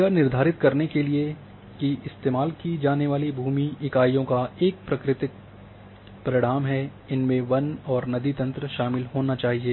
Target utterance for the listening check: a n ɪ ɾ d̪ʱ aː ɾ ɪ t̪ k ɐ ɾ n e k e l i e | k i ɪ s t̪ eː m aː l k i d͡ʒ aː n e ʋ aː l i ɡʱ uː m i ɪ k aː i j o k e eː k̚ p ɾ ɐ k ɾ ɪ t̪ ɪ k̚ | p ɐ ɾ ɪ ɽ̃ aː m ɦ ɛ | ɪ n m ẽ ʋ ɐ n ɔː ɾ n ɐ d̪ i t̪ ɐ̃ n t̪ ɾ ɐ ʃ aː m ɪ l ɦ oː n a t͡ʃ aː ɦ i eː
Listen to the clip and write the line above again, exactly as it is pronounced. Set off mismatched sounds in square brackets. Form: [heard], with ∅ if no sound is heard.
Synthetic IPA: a n ɪ ɾ d̪ʱ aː ɾ ɪ t̪ k ɐ ɾ n e k e l i e | k i ɪ s t̪ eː m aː l k i d͡ʒ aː n e ʋ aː l i [bʱ] uː m i ɪ k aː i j [õ] k [a] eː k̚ p ɾ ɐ k ɾ ɪ t̪ ɪ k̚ | p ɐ ɾ ɪ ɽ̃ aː m ɦ ɛ | ɪ n m ẽ ʋ ɐ n ɔː ɾ n ɐ d̪ i t̪ ɐ̃ n t̪ ɾ [ə] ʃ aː m ɪ l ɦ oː n a t͡ʃ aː ɦ i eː